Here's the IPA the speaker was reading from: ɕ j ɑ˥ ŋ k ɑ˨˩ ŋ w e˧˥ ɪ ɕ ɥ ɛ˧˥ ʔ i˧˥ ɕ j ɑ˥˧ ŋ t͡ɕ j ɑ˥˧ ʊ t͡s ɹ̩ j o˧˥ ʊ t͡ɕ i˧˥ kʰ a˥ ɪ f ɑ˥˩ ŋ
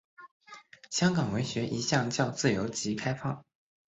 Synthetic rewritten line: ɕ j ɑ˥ ŋ k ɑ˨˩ ŋ w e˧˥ ɪ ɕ ɥ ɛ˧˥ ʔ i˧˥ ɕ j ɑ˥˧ ŋ t͡ɕ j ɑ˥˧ ʊ t͡s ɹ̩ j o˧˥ ʊ t͡ɕ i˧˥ kʰ a˥ ɪ f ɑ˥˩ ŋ